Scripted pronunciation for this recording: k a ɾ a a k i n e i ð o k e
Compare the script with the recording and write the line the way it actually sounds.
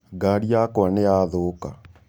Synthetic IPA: ɡ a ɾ i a k a n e a ð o k a